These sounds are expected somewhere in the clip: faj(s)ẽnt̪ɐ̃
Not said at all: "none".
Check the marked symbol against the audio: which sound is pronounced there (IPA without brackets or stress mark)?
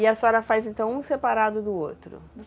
z